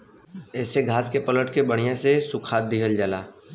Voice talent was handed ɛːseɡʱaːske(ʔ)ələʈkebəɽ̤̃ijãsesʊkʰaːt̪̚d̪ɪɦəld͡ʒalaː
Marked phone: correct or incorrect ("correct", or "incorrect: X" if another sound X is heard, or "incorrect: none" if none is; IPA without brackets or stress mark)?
incorrect: p